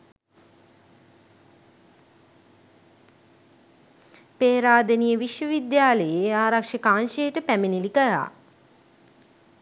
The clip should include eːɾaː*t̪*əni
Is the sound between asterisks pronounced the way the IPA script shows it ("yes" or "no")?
no